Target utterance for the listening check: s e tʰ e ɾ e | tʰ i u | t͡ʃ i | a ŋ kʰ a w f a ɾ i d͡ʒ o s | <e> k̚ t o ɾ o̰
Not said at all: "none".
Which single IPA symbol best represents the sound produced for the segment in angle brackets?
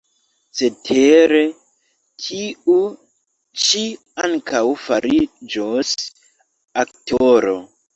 a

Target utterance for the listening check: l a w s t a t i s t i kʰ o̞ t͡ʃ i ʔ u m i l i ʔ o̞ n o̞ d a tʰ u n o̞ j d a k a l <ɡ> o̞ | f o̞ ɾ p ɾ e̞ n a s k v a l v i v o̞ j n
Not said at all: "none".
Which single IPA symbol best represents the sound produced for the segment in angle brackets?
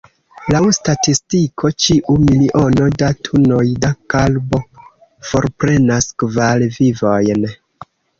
b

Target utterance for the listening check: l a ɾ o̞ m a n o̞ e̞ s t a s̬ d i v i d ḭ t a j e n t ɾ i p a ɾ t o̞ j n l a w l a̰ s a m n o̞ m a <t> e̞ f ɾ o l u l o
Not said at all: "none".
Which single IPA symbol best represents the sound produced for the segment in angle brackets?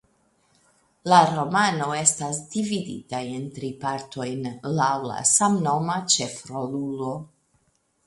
t͡ʃ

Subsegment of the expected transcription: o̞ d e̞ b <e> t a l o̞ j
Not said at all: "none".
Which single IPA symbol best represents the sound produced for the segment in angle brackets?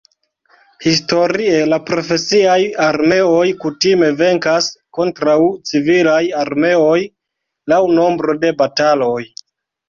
a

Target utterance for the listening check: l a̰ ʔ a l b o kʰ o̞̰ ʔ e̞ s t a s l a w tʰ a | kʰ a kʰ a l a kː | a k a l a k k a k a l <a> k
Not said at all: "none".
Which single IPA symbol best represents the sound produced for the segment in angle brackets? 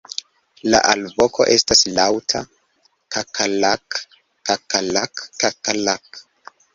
a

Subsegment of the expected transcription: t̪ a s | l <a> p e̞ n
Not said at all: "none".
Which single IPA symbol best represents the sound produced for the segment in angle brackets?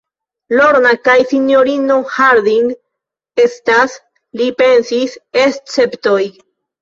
i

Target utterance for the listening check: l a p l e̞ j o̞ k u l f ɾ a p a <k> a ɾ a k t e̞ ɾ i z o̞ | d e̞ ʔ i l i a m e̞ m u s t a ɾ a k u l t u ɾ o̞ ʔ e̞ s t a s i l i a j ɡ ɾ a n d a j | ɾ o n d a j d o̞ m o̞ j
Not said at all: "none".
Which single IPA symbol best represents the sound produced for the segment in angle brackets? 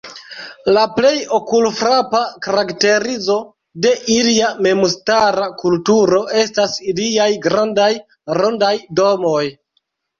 k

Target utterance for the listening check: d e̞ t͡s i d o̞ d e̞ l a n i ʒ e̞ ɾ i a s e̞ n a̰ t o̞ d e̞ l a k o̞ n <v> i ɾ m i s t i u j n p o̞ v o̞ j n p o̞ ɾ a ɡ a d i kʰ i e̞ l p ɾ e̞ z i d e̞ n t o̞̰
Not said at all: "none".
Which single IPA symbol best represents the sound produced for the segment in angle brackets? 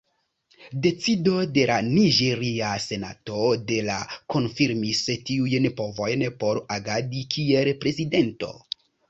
f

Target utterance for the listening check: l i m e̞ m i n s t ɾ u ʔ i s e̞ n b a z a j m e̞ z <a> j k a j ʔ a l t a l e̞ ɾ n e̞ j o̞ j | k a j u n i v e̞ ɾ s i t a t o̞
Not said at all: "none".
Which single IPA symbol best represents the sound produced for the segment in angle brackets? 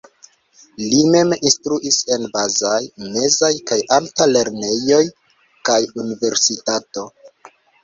a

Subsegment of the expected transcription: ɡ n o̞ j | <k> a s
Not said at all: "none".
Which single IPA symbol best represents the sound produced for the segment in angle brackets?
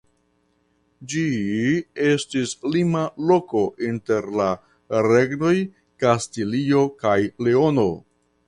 k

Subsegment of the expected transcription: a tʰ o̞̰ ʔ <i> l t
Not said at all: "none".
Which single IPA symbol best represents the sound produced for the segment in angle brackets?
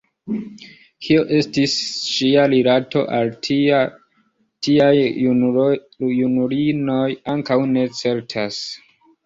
a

